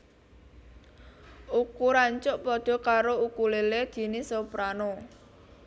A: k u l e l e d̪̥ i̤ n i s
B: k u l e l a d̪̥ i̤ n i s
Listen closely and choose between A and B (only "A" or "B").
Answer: A